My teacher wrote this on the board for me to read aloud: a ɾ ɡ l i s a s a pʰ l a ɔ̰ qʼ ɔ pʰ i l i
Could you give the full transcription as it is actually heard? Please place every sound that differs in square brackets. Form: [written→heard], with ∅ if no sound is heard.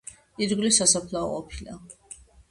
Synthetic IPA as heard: [a→i] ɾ ɡ l i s a s a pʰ l a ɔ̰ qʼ ɔ pʰ i l [i→a]